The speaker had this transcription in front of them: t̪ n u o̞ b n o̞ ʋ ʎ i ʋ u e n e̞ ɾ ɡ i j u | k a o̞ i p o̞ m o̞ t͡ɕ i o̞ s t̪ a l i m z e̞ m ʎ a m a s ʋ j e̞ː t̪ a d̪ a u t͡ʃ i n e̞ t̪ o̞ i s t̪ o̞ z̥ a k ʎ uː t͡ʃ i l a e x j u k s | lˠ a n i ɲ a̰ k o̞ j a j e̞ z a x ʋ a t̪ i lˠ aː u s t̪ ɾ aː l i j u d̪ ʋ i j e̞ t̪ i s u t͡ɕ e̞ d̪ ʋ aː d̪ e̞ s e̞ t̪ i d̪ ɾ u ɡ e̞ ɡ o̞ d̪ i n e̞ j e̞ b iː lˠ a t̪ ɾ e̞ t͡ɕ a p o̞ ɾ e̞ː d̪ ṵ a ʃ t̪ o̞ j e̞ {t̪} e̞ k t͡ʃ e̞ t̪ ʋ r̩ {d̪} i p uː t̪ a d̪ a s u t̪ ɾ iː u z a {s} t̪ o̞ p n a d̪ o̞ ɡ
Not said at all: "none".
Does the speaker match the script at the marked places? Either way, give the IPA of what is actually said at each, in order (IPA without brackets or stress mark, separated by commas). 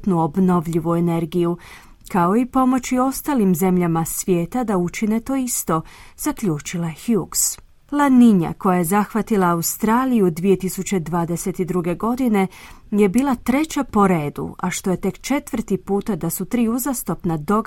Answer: t̪, t̪, s